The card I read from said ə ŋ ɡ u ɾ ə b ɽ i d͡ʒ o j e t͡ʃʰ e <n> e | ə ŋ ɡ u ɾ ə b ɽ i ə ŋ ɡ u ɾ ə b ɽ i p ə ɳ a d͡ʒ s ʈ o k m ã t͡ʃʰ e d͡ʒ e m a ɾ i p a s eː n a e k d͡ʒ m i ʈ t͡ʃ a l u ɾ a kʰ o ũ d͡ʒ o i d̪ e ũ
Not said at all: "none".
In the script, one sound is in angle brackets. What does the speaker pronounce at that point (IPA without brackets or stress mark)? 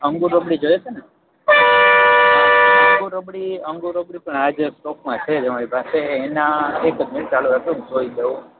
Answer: n